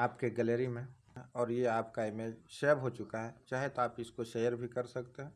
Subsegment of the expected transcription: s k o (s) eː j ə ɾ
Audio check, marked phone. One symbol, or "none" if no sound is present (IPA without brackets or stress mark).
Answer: ʃ